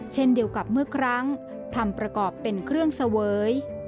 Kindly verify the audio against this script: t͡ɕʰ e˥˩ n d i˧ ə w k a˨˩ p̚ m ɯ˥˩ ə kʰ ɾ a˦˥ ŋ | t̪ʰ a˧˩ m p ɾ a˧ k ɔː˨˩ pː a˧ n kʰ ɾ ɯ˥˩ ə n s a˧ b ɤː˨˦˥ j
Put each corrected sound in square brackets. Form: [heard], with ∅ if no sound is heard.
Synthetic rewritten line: t͡ɕʰ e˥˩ n d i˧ ə w k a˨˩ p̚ m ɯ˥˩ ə kʰ ɾ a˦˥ ŋ | t̪ʰ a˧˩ m p ɾ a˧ k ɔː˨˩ pː [e˧] n kʰ ɾ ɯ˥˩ ə [ŋ] s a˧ [w] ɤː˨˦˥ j

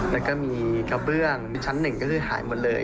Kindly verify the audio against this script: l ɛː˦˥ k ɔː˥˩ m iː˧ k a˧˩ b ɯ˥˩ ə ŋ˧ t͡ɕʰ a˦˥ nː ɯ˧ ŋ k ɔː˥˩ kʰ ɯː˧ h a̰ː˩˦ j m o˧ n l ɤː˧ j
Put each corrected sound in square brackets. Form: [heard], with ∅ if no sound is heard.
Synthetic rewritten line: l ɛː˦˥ k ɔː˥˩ m iː˧ k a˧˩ b ɯ˥˩ ə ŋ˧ t͡ɕʰ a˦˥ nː [ɯ˨˩] ŋ k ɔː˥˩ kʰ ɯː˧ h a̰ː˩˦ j m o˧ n l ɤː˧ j

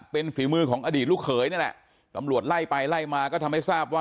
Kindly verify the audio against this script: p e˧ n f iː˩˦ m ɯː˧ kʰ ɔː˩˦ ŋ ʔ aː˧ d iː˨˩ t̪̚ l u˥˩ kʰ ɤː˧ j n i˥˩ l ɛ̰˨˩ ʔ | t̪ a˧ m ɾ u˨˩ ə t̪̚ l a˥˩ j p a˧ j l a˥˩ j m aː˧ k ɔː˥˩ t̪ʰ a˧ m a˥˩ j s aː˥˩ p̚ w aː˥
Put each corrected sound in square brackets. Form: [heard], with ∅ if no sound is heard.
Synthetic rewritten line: p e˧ n f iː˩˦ m ɯː˧ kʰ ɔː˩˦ ŋ ʔ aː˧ d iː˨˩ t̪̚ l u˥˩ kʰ [ɤː˩˦] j n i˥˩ l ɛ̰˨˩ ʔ | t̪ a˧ m ɾ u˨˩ ə t̪̚ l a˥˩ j p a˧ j l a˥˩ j m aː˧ k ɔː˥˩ t̪ʰ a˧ m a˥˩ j s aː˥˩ p̚ w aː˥

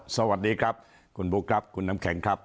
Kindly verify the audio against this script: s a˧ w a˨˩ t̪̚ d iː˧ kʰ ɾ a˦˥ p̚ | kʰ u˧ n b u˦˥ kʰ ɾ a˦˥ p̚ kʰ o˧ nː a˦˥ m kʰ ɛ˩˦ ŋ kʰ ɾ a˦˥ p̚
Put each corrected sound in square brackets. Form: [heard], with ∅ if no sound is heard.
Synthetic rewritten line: s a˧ w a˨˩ t̪̚ d iː˧ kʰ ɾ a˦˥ p̚ | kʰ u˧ n b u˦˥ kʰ ɾ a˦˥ p̚ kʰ [u˧] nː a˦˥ m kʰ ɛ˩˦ ŋ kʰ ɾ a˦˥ p̚

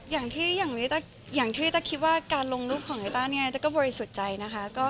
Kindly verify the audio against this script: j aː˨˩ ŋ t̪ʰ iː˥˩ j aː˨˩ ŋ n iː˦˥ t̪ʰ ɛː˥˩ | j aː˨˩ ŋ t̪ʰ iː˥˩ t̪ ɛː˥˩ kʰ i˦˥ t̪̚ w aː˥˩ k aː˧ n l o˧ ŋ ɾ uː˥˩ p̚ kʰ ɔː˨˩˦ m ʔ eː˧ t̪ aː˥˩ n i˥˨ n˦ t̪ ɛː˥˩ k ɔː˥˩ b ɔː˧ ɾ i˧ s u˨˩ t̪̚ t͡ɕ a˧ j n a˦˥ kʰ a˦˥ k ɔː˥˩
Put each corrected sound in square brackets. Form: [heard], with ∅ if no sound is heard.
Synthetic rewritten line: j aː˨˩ ŋ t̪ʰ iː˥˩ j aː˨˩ ŋ n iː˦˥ [t̪] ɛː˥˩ | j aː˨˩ ŋ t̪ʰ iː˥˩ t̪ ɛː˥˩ kʰ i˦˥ t̪̚ w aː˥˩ k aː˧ n l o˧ ŋ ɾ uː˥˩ p̚ kʰ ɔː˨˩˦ [ŋ] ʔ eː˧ t̪ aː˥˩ n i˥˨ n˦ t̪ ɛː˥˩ k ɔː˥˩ b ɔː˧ ɾ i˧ s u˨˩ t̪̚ t͡ɕ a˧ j n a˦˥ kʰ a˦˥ k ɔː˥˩

